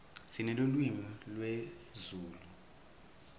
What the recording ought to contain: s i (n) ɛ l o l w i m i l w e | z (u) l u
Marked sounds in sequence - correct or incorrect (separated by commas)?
correct, incorrect